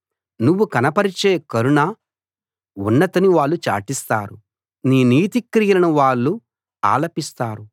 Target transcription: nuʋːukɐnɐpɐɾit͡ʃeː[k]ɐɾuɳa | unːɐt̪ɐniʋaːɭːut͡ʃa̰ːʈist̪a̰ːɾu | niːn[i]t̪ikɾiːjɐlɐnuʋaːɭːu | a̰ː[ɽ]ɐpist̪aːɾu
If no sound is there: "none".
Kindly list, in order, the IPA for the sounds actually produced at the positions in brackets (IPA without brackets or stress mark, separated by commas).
k, iː, l